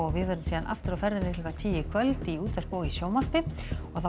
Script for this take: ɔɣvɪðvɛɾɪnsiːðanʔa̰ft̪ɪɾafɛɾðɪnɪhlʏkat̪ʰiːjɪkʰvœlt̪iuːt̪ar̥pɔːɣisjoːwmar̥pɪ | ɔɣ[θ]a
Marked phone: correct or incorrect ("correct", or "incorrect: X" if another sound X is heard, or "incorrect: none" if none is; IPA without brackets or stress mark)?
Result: correct